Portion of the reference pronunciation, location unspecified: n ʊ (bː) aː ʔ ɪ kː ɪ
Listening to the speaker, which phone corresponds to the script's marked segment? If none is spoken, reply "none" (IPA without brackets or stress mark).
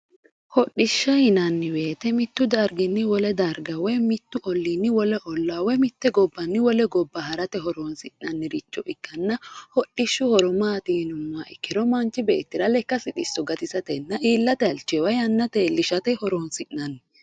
mː